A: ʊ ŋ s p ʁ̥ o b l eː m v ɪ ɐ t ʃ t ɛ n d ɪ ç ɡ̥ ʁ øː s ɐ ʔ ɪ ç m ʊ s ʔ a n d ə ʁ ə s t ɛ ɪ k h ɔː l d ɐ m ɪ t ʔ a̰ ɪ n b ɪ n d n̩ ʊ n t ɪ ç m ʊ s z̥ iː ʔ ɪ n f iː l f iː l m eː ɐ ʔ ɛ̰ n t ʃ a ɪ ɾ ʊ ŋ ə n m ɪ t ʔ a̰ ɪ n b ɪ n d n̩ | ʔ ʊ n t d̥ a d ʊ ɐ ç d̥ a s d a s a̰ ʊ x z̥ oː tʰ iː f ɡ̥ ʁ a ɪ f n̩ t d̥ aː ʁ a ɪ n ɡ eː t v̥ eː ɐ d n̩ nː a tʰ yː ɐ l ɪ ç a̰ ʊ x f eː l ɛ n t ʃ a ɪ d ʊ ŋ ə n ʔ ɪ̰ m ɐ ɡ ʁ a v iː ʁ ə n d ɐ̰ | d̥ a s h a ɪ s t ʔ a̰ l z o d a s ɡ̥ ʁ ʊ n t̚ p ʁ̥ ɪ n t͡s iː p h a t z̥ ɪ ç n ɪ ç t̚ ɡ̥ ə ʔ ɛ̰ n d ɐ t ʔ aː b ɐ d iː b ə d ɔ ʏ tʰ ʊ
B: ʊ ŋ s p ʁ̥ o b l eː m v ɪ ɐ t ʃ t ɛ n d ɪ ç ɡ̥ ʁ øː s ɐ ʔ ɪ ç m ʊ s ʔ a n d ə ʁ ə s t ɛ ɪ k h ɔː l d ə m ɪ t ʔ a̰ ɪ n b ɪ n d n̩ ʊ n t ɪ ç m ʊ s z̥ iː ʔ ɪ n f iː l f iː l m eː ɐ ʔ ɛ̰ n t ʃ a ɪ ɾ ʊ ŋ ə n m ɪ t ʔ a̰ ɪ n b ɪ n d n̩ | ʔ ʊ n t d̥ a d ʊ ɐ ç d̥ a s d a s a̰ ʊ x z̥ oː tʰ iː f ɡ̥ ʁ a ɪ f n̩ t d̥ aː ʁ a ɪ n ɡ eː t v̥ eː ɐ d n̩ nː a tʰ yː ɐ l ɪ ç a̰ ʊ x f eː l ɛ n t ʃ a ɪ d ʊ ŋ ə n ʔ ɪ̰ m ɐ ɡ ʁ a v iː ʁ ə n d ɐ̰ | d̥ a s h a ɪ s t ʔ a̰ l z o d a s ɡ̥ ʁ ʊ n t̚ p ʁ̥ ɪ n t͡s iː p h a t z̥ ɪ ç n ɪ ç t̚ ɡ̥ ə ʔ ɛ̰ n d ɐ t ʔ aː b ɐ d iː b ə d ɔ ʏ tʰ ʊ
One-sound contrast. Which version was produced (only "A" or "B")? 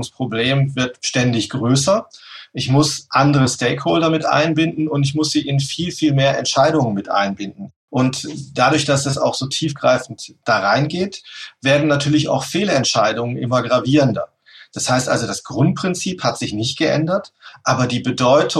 A